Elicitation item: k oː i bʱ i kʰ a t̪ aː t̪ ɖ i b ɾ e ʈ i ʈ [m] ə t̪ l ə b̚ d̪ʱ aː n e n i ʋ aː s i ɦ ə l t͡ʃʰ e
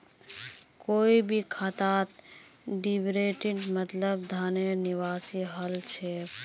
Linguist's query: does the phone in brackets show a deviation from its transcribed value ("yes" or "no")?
no